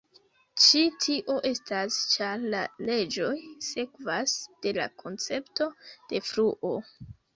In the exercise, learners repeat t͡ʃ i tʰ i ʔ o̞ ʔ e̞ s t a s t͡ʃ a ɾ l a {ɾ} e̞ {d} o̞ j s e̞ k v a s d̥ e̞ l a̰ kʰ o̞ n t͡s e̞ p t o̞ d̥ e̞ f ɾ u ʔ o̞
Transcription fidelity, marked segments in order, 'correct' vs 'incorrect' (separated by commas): incorrect, incorrect